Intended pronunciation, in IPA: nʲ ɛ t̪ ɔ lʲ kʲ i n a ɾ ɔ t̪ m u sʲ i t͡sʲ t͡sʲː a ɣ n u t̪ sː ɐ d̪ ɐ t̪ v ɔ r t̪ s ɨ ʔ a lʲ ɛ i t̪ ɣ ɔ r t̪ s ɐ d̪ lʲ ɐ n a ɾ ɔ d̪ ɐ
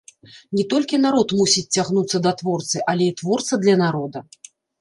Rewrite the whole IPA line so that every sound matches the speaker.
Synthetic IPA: nʲ ɛ t̪ ɔ lʲ kʲ i n a ɾ ɔ t̪ m u sʲ i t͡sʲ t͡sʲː a ɣ n u t̪ sː ɐ d̪ ɐ t̪ v ɔ r t̪ s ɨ ʔ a lʲ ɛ i t̪ v ɔ r t̪ s ɐ d̪ lʲ ɐ n a ɾ ɔ d̪ ɐ